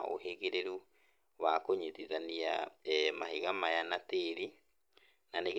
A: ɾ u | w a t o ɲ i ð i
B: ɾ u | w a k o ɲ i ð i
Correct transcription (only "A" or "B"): B